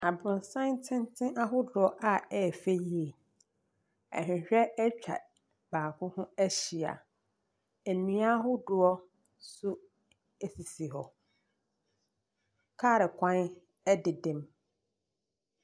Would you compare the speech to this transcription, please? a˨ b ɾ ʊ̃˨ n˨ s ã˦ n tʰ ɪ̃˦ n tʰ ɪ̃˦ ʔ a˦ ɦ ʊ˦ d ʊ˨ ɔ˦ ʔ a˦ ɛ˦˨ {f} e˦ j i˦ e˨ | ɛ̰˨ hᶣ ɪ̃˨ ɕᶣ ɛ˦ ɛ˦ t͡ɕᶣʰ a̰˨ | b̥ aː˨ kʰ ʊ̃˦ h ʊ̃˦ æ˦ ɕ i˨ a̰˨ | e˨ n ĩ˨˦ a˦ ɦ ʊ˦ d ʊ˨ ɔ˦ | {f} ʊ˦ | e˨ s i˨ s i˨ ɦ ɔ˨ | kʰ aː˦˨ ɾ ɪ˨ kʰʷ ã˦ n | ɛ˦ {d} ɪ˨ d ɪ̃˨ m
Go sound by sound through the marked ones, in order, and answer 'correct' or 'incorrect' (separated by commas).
correct, incorrect, correct